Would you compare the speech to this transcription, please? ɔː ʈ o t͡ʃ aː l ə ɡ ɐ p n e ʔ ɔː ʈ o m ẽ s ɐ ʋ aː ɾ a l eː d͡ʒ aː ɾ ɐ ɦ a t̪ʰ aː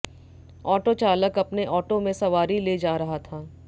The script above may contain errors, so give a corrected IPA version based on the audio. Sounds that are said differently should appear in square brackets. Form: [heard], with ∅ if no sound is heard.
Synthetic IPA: ɔː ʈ o t͡ʃ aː l ə [k] ɐ p n e ʔ ɔː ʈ o m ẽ s ɐ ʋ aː ɾ [i] l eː d͡ʒ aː ɾ ɐ ɦ a t̪ʰ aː